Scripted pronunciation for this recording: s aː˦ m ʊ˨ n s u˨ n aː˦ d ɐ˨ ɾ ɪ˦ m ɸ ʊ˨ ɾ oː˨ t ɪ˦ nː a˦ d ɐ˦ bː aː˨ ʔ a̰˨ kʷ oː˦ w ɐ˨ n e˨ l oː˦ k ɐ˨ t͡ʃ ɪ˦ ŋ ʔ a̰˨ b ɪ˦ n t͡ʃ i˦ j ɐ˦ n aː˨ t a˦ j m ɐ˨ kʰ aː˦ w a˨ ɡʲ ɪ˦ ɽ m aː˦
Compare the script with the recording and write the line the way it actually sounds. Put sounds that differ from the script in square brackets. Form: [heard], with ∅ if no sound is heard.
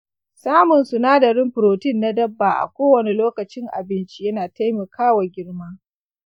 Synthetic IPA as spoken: s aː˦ m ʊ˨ n s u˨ n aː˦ d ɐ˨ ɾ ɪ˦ m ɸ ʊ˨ ɾ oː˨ t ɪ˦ nː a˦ d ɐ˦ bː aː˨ ʔ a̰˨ kʷ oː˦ w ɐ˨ n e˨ l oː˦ k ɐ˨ t͡ʃ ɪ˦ ŋ ʔ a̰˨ b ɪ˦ n t͡ʃ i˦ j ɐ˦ n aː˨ t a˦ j m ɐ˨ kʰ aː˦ w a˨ ɡʲ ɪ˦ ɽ m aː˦